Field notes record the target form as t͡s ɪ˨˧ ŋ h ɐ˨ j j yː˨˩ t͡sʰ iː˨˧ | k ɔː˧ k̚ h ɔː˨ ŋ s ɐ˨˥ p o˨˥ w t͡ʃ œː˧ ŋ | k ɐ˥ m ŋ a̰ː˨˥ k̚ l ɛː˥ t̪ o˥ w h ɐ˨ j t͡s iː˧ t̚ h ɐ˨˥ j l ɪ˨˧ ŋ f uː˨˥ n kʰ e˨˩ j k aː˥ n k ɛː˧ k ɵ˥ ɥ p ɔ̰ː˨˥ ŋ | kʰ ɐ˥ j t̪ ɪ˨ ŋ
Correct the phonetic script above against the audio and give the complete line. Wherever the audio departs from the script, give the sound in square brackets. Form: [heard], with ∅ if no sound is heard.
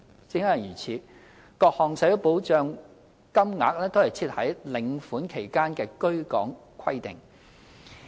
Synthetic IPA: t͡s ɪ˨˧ ŋ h ɐ˨ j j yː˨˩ t͡sʰ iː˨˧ | k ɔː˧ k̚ h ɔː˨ ŋ s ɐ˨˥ p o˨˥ w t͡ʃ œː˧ ŋ | k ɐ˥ m ŋ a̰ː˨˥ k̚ l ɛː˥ t̪ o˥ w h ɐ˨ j [t͡sʰ] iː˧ t̚ h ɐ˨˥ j l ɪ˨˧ ŋ f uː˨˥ n kʰ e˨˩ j k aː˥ n k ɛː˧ k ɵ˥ ɥ [k] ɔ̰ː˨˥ ŋ | kʰ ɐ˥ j t̪ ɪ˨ ŋ